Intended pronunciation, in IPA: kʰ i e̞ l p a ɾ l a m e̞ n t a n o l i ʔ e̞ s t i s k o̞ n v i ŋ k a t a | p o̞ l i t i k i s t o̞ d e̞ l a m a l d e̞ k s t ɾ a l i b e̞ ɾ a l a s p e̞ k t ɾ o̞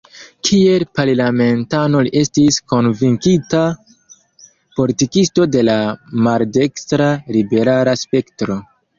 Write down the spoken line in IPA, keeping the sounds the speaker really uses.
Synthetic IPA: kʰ i e̞ l p a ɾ l a m e̞ n t a n o l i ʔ e̞ s t i s k o̞ n v i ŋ k i t a | p o̞ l i t i k i s t o̞ d e̞ l a m a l d e̞ k s t ɾ a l i b e̞ ɾ a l a s p e̞ k t ɾ o̞

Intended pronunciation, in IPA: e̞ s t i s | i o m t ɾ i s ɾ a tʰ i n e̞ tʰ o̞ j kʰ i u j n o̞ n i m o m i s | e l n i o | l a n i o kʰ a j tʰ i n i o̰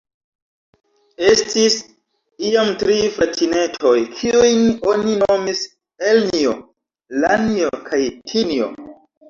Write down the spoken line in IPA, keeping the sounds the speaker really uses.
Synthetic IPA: e̞ s t i s | i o m t ɾ i f ɾ a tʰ i n e̞ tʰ o̞ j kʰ i u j n o̞ n i n o m i s | e l n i o | l a n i o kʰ a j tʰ i n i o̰

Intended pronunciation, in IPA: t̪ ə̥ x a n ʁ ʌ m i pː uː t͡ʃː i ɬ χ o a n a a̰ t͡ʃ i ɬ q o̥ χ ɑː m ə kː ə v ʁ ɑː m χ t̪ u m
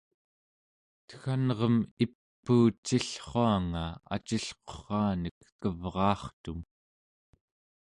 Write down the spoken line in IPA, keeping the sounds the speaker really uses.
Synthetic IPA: t̪ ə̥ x a n ʁ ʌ m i pː uː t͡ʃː i ɬ χ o a ŋ a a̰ t͡ʃ i ɬ q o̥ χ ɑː n ə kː ə v ʁ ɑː χ t̪ u m

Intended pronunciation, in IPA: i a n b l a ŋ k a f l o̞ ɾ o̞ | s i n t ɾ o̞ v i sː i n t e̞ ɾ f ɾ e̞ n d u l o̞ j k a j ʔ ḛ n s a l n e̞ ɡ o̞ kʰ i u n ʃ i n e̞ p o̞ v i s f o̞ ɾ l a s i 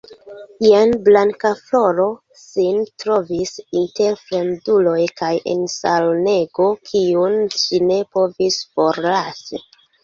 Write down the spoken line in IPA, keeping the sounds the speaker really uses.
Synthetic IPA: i a n b l a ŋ k a f l o̞ ɾ o̞ | s i n t ɾ o̞ v i s i n t e̞ ɾ f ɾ e̞ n d u l o̞ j k a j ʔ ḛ n s a l n e̞ ɡ o̞ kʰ i u n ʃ i n e̞ p o̞ v i s f o̞ ɾ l a s i

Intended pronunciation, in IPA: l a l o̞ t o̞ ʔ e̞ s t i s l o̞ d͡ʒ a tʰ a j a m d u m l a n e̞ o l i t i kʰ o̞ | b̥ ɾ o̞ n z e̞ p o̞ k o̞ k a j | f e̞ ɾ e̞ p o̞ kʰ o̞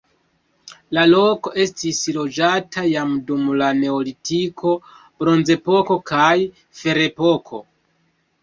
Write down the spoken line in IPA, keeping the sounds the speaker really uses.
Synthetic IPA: l a l o̞ k o̞ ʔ e̞ s t i s l o̞ d͡ʒ a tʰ a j a m d u m l a n e̞ o l i t i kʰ o̞ | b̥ ɾ o̞ n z e̞ p o̞ k o̞ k a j | f e̞ ɾ e̞ p o̞ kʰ o̞

